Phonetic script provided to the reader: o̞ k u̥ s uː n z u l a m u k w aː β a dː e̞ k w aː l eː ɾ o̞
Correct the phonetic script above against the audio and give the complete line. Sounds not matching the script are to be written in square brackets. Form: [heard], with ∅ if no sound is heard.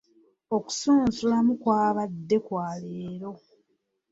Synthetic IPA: o̞ k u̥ s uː n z u l a m u k w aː β a dː e̞ k w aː l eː ɾ o̞